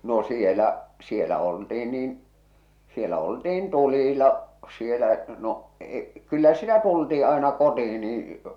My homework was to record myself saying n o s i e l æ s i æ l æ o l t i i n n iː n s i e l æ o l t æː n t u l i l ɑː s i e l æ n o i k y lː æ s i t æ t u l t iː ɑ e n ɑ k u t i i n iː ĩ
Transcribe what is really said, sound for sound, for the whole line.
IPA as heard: n o s i e l æ s i e l æ o l t i i n n iː n s i e l æ o l t iː n t u l i l ɑ s i e l æ n o e k y lː æ s i t æ t u l t iː ɑ e n ɑ k o t i i n iː ĩ